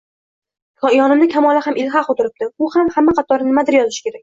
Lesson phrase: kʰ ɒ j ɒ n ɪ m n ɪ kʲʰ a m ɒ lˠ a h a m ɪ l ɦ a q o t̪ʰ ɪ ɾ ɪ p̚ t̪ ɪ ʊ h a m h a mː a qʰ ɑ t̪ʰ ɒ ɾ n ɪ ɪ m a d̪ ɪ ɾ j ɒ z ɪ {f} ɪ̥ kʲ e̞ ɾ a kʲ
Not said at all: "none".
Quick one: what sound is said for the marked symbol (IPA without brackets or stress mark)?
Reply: ʃ